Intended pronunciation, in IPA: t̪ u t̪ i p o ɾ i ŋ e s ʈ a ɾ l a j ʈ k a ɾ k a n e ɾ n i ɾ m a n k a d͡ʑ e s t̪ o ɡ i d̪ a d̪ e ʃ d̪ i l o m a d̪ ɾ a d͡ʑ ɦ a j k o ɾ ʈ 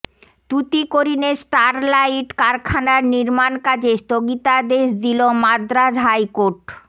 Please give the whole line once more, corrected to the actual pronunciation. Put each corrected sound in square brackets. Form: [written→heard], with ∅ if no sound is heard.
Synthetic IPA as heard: t̪ u t̪ i [p→k] o ɾ i [ŋ→n] e s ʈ a ɾ l a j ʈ k a ɾ [k→kʰ] a n [e→a] ɾ n i ɾ m a n k a d͡ʑ e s t̪ o ɡ i [d̪→t̪] a d̪ e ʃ d̪ i l o m a d̪ ɾ a d͡ʑ ɦ a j k o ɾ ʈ